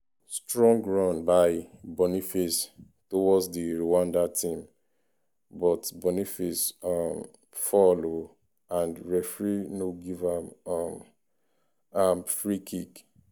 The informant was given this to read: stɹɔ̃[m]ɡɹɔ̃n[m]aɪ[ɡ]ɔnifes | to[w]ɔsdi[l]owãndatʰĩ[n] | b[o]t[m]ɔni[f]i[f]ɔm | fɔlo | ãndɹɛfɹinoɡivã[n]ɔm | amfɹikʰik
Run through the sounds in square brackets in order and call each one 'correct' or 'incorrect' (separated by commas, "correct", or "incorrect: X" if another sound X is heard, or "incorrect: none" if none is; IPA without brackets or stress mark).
incorrect: ŋ, incorrect: b, incorrect: b, correct, incorrect: ɹ, incorrect: m, incorrect: ɔ, incorrect: b, correct, incorrect: s, incorrect: m